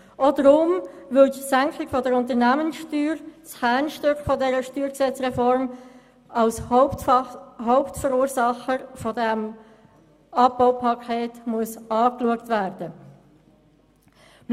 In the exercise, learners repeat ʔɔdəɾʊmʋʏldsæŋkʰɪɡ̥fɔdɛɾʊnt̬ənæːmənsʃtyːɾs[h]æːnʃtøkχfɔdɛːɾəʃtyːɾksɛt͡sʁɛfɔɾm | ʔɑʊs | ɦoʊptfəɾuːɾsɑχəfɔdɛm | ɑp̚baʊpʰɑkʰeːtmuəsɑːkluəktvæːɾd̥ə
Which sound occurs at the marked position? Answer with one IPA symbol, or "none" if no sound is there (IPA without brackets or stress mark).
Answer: h